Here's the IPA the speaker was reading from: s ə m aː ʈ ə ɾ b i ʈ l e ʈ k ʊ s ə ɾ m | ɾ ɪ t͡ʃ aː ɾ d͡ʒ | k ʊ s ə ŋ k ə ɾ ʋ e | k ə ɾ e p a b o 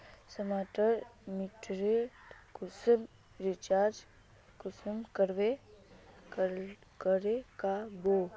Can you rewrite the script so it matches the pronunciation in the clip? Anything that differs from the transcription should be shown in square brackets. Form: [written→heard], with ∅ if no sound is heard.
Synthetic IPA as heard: s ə m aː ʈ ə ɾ [b→m] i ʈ [l→ɾ] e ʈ k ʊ s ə [ɾ→∅] m | ɾ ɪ t͡ʃ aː ɾ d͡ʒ | k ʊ s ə [ŋ→m] k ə ɾ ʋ e | k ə ɾ e [p→k] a b o